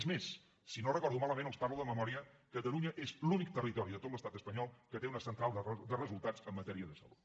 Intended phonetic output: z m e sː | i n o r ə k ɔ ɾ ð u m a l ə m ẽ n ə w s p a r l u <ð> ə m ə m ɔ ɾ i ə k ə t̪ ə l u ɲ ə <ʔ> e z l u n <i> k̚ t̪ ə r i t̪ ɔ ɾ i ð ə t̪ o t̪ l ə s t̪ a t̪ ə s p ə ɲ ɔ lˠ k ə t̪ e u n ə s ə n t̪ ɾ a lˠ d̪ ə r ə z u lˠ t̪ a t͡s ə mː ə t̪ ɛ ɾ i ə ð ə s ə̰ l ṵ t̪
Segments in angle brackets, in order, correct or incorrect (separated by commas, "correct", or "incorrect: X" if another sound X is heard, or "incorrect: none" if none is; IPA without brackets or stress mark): correct, correct, correct